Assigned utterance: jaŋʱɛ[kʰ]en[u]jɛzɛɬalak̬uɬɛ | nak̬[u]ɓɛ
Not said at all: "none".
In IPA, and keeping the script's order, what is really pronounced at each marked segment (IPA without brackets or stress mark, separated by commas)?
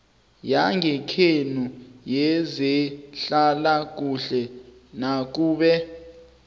kʰ, u, uː